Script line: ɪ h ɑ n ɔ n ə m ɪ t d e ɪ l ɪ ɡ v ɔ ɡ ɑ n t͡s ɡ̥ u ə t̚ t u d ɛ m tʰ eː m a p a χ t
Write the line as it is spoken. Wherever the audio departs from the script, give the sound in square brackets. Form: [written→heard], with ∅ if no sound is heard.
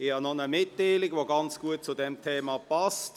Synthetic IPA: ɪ h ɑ n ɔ n ə m ɪ t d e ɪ l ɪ ɡ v [ɔ→o] ɡ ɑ n t͡s ɡ̥ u ə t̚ [t→t͡s] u d ɛ m tʰ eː m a p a [χ→s] t